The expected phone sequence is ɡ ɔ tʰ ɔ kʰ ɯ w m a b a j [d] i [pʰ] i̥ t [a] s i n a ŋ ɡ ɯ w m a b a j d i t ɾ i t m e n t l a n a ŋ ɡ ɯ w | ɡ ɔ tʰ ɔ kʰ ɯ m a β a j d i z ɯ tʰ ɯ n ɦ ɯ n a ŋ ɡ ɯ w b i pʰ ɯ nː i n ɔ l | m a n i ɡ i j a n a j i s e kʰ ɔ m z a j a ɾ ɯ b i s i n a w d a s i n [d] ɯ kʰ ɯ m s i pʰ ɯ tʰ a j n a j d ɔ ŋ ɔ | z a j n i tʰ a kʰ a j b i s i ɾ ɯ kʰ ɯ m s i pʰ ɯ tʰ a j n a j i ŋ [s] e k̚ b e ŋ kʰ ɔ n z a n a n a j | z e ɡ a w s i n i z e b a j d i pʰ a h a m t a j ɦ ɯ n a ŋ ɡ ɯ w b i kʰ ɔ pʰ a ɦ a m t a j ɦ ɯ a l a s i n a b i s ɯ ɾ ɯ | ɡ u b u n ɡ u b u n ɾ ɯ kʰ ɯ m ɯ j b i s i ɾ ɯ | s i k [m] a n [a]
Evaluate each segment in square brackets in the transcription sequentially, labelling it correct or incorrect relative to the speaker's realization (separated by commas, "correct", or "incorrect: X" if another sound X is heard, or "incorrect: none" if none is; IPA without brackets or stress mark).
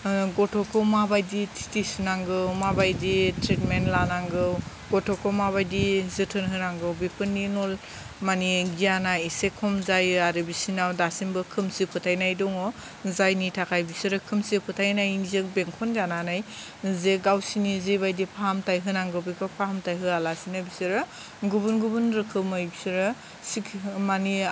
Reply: correct, incorrect: tʰ, incorrect: i, incorrect: b, incorrect: z, correct, incorrect: i